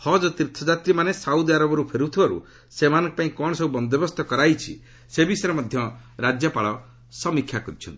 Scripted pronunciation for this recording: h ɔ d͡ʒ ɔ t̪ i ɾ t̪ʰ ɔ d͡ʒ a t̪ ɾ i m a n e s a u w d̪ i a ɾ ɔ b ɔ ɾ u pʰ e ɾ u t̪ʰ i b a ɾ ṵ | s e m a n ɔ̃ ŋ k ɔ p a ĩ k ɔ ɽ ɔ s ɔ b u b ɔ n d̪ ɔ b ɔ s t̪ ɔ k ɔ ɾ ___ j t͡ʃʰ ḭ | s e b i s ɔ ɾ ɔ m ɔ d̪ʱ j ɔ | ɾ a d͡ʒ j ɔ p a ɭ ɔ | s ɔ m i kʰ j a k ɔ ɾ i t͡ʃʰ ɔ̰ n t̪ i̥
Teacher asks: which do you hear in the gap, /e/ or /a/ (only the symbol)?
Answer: a